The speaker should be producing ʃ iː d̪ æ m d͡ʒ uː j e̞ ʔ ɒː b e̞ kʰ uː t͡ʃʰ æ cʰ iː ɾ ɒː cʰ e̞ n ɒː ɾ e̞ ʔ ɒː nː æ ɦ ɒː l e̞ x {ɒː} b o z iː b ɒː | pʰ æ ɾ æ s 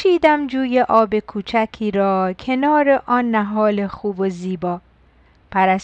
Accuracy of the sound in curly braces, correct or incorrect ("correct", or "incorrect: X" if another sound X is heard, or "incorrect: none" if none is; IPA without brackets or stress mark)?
incorrect: uː